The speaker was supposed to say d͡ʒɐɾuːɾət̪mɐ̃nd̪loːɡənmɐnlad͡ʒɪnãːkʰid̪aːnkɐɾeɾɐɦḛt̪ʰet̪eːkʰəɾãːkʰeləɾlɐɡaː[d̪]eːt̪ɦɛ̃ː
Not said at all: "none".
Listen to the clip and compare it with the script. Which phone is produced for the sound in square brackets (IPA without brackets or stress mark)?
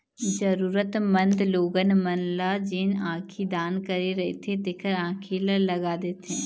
d̪